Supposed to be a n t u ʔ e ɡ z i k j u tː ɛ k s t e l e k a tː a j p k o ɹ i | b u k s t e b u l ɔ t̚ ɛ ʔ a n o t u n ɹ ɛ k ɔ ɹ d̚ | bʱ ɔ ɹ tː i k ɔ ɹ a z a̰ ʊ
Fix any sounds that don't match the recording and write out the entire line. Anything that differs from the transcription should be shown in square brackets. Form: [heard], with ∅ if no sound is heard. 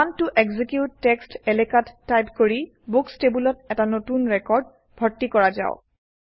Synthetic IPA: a n t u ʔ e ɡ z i k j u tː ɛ k s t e l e k a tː a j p k o ɹ i | b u k s t e b u l ɔ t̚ ɛ [t] a n o t u n ɹ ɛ k ɔ ɹ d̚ | bʱ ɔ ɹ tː i k ɔ ɹ a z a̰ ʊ